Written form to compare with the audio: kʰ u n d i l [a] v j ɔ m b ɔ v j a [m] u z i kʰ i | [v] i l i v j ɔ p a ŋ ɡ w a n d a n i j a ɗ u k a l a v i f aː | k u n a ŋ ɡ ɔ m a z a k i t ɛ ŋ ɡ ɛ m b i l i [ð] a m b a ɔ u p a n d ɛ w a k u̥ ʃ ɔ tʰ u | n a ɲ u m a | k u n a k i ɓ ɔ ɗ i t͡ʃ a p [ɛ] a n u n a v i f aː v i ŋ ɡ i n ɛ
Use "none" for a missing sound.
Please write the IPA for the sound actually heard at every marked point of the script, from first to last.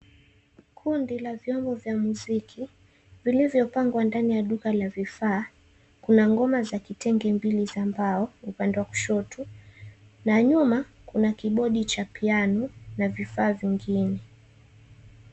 a, m, v, z, i

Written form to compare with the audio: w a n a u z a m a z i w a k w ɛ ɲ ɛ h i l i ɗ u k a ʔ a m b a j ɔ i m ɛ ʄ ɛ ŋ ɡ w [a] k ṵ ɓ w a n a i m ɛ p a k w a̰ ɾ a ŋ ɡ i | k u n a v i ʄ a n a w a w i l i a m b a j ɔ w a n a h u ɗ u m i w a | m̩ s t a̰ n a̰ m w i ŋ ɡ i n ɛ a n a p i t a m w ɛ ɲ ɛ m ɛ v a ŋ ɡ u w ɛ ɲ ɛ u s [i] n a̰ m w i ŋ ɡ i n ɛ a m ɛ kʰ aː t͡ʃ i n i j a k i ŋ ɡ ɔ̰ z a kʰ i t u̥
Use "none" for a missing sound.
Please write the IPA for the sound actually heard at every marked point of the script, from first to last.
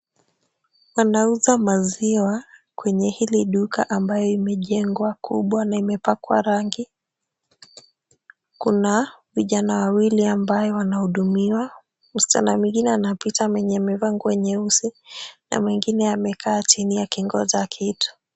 a, i

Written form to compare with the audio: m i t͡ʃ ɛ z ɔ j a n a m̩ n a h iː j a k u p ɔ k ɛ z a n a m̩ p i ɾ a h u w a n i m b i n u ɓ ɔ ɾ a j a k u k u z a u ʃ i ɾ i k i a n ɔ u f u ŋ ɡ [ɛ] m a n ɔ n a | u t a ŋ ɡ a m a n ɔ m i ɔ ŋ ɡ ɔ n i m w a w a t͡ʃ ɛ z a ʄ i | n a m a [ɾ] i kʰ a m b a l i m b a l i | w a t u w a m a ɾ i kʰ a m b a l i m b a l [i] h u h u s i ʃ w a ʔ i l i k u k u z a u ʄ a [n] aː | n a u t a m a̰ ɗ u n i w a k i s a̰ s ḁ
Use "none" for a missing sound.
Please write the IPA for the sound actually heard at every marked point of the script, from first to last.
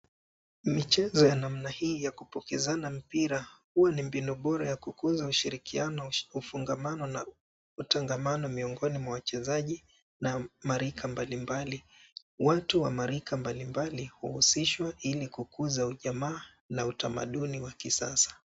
a, ɾ, i, m

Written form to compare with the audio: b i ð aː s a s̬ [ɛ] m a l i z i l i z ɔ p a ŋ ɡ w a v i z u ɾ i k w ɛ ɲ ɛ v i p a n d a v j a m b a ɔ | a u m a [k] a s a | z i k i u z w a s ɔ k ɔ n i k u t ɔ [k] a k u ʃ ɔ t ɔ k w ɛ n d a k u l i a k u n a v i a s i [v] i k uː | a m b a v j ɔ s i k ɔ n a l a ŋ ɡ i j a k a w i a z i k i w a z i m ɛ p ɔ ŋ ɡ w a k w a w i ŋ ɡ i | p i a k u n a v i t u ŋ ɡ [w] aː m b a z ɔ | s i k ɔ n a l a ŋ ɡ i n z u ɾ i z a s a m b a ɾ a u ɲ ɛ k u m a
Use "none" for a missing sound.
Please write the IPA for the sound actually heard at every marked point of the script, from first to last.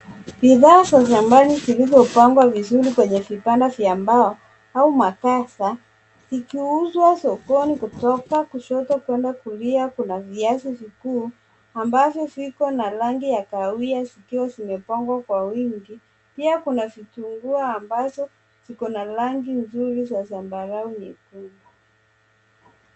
a, k, k, v, u

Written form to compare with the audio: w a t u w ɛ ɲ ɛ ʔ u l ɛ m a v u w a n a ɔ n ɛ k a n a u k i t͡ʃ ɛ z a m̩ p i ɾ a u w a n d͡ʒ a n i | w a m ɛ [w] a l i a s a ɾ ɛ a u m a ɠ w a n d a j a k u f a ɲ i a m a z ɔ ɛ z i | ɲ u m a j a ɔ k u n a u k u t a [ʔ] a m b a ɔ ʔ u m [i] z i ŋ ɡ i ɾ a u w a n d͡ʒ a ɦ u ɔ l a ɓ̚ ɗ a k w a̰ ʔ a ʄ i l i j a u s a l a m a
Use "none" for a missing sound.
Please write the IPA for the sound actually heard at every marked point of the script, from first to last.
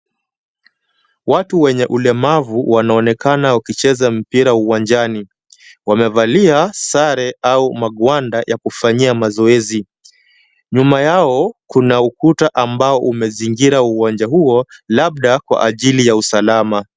v, ʔ, ɛ

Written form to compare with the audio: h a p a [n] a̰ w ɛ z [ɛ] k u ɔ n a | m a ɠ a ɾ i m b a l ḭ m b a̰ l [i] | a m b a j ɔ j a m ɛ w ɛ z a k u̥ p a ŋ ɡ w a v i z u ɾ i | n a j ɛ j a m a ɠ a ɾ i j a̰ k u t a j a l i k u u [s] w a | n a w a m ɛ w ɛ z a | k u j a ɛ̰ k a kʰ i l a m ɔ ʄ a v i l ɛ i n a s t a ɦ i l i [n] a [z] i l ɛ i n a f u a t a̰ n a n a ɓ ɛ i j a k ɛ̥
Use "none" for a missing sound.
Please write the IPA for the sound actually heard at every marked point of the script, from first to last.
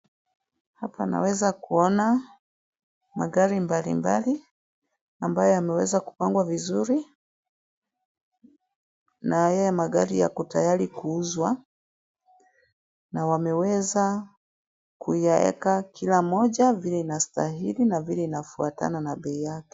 n, a, i, z, n, v

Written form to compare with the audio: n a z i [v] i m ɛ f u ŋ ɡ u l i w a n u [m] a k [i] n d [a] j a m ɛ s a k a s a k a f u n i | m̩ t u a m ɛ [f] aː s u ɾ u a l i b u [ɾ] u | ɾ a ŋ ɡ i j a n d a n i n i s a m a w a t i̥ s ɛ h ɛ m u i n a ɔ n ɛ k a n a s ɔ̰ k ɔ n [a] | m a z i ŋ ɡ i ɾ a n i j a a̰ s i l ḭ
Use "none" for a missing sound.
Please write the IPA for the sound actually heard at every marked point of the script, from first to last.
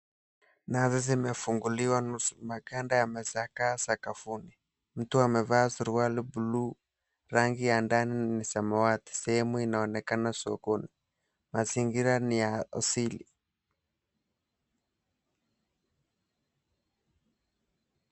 z, m, a, a, v, l, i

